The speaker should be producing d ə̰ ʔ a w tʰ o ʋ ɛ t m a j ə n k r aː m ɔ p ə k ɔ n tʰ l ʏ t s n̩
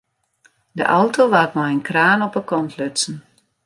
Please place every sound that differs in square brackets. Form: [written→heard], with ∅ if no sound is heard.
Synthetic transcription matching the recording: d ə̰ ʔ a w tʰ o ʋ [ɛ→a] t m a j ə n k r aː [m→n] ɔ p ə k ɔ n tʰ l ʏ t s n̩